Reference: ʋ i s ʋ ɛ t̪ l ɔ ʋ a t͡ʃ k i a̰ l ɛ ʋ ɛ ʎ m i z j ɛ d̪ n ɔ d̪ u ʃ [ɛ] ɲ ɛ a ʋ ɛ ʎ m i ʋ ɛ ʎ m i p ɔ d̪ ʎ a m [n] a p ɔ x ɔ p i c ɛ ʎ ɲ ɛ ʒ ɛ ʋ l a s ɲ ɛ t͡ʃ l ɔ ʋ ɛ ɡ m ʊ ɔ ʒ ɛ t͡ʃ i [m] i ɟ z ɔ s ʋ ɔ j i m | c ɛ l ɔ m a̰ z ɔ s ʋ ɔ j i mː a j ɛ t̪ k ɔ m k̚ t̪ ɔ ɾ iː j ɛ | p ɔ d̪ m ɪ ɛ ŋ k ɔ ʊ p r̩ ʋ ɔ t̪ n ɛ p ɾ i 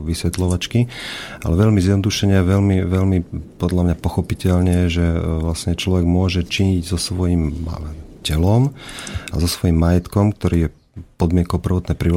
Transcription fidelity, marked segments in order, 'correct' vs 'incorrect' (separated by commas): correct, incorrect, incorrect